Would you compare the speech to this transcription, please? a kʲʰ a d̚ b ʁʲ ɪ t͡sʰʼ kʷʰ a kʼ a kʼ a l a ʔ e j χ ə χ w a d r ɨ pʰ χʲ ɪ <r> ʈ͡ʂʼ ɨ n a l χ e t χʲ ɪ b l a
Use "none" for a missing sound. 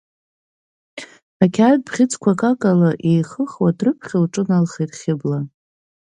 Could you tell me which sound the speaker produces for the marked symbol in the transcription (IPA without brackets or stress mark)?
l